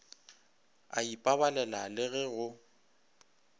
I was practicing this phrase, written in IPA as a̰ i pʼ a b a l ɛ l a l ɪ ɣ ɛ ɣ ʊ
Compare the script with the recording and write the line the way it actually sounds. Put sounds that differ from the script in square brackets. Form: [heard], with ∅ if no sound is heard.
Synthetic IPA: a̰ i pʼ a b a l ɛ l a l ɪ ɣ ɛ ɣ ʊ